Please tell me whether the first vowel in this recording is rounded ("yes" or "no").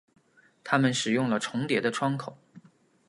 no